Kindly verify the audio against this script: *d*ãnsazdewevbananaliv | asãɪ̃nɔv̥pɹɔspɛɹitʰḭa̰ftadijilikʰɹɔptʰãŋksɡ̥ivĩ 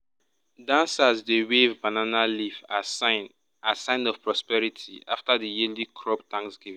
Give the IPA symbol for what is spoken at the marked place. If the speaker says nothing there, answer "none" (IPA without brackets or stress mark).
d